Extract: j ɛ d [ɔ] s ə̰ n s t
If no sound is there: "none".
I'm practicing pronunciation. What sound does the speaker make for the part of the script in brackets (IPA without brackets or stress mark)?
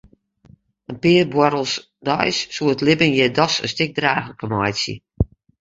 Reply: ɔ